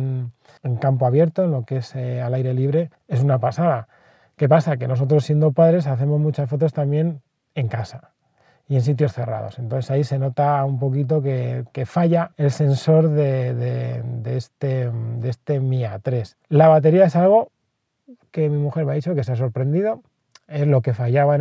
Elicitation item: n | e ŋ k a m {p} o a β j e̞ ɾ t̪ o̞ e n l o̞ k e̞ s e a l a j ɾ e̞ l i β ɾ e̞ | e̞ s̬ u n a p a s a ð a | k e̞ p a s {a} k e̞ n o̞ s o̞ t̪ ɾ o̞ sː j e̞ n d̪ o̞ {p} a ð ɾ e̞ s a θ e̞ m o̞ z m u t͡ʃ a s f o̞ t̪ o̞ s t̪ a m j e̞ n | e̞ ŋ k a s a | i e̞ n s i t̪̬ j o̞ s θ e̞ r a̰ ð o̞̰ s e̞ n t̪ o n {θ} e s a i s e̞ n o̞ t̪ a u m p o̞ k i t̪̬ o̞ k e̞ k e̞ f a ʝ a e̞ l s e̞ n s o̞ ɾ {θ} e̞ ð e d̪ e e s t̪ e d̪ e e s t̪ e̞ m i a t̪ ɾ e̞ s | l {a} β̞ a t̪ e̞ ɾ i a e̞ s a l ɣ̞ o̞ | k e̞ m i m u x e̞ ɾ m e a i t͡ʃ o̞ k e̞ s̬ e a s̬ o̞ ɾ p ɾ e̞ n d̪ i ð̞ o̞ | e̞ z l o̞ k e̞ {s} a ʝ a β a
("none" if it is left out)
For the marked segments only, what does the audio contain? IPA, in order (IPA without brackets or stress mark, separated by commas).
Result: p, a, p, θ, ð, a, f